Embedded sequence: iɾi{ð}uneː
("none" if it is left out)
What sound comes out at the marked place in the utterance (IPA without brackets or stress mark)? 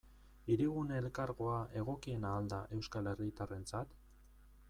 ɣ